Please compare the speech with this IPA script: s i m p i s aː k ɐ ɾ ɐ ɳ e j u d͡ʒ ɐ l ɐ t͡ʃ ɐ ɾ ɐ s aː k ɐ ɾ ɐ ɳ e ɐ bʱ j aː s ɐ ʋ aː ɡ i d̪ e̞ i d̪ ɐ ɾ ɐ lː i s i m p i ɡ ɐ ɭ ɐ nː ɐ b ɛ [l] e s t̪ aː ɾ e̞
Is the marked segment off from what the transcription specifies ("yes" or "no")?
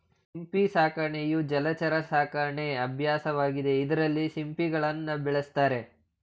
yes